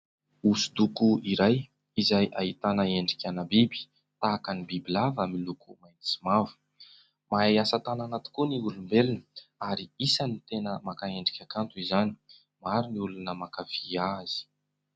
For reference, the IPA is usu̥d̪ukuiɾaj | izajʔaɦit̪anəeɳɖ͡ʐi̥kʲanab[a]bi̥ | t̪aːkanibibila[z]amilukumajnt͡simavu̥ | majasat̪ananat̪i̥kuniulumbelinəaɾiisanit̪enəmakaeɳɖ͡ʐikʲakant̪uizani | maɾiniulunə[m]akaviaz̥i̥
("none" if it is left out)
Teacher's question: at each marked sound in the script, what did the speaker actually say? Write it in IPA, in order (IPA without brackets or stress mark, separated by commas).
i, v, m